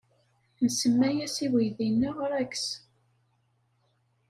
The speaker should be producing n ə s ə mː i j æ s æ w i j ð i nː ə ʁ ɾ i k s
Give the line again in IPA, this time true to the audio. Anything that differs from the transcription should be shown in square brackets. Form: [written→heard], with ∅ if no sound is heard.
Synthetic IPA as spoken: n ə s ə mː [i→æ] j æ s [æ→i] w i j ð i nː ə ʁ ɾ [i→æ] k s